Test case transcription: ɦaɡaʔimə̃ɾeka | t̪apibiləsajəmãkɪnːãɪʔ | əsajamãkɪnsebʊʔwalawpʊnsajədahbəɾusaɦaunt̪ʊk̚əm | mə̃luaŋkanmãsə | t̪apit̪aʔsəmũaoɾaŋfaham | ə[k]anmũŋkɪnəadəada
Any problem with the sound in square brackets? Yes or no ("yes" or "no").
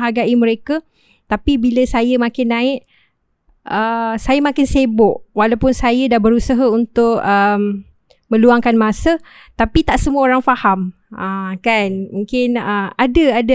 no